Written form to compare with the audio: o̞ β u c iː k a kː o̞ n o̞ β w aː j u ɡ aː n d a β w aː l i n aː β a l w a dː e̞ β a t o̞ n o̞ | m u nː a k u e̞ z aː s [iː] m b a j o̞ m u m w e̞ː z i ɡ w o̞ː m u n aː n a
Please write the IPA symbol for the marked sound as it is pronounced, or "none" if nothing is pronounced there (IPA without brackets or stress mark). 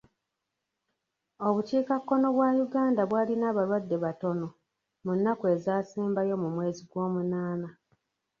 iː